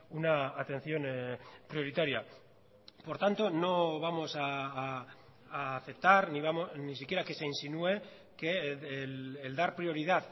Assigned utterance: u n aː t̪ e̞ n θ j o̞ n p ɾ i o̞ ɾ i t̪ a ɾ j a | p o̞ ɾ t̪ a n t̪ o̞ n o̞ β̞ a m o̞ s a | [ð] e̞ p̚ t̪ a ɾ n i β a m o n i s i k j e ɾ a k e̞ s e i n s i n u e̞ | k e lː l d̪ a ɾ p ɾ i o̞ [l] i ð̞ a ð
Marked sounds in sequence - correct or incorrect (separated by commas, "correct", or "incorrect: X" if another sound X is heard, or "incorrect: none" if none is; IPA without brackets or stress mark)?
incorrect: θ, incorrect: ɾ